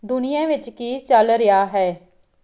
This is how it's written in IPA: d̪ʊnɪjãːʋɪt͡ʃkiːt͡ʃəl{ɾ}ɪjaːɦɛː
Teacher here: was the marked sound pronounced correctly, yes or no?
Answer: yes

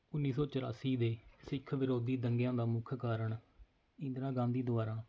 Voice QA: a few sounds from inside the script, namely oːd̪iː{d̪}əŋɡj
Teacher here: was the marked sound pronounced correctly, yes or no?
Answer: yes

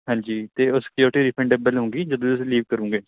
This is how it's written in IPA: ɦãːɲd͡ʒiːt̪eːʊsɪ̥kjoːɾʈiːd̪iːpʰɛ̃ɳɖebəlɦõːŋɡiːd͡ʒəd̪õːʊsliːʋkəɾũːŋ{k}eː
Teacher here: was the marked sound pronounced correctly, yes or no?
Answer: no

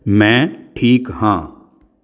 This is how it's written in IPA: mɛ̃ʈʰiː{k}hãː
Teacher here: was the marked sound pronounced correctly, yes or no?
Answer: yes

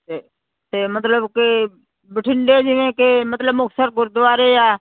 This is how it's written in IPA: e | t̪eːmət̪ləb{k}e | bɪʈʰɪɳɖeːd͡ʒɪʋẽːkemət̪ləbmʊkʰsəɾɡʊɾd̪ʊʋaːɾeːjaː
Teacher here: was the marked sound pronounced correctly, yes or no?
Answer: yes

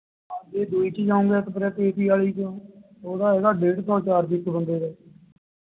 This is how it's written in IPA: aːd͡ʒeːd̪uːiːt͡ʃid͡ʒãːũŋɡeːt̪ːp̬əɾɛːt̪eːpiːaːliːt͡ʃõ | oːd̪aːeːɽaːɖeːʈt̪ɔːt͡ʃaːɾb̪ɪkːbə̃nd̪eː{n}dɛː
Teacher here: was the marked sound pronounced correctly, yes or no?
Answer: no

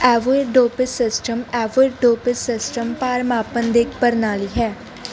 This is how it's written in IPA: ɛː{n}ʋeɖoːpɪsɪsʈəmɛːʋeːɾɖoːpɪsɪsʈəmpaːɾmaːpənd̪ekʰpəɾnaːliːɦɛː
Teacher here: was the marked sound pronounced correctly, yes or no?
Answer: no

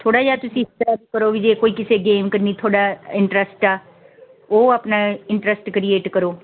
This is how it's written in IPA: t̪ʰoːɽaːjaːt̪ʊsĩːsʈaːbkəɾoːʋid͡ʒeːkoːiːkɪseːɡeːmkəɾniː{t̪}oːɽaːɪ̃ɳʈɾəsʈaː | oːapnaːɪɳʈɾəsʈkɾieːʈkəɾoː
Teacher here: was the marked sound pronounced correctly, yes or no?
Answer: no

